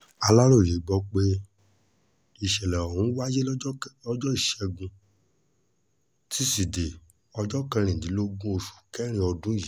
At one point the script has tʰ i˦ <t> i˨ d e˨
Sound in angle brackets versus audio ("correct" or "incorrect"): incorrect